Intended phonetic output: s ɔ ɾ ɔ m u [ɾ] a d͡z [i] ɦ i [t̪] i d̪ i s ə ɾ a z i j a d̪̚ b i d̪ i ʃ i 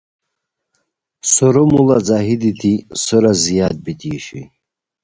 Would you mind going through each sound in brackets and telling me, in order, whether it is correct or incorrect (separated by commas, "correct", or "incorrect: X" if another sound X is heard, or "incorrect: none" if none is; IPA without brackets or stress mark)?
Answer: incorrect: l, incorrect: a, incorrect: d̪